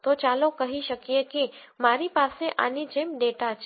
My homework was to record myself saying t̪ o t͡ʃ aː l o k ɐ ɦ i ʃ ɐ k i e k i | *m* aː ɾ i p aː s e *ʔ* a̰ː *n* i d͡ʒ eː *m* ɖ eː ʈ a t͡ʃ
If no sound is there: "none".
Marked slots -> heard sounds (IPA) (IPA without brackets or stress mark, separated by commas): m, ʔ, n, m